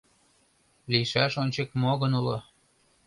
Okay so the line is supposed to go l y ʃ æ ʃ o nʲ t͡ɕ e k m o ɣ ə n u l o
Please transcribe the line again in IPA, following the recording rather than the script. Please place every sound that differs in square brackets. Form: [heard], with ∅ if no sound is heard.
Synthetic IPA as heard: l [i] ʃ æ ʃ o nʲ t͡ɕ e k m o ɣ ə n u l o